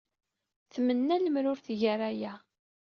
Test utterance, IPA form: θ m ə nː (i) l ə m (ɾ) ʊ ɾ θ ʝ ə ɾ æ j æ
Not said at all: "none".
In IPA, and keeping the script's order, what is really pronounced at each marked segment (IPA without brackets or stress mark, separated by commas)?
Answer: æ, ɾ